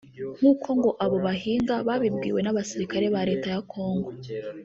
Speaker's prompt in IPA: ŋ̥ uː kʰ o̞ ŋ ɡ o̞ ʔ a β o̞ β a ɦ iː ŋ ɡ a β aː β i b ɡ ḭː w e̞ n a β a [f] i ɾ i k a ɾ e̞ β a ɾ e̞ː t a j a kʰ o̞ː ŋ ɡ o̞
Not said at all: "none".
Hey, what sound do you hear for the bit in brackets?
s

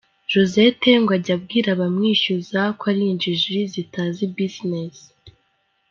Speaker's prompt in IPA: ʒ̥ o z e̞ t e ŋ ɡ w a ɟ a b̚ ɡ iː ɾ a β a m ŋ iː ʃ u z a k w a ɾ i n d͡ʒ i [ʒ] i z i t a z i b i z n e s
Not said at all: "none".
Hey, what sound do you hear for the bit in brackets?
ʒ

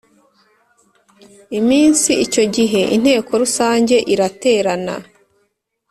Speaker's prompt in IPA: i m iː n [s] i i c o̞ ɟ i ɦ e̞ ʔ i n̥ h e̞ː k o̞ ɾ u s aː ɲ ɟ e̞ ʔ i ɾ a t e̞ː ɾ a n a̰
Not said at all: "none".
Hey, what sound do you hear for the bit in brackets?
s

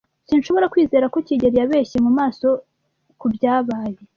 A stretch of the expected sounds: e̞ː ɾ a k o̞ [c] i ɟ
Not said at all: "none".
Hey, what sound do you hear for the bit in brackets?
c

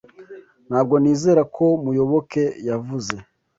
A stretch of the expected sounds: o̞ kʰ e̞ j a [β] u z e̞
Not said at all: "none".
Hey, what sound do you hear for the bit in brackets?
v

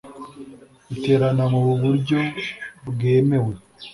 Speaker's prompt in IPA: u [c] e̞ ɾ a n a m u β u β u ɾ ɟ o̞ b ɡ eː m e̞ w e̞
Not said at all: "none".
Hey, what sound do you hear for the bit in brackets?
t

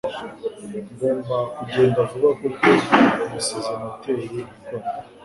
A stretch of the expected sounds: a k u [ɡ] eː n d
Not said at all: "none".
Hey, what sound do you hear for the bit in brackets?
ɟ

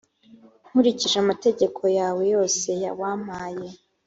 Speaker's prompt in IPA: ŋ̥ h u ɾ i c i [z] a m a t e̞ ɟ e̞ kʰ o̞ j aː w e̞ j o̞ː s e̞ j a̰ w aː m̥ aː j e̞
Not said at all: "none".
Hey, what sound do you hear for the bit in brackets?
ʒ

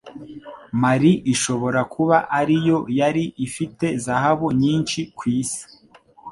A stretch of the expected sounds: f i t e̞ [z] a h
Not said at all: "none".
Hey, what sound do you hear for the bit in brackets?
z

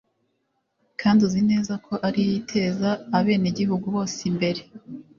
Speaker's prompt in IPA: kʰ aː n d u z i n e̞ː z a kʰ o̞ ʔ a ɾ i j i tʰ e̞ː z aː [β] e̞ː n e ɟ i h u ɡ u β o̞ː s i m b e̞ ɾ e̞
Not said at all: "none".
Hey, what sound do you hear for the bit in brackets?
β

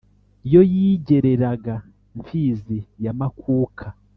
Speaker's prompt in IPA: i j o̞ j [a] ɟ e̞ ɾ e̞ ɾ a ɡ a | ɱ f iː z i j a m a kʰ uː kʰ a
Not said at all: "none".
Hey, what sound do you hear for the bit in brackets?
i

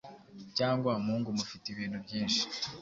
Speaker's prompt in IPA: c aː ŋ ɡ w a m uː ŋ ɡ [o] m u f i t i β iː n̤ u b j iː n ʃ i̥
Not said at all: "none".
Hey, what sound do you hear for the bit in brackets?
u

